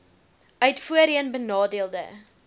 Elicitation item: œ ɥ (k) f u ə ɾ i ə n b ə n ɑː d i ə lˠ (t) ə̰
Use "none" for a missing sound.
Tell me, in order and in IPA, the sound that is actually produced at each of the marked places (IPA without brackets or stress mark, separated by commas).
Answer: t, d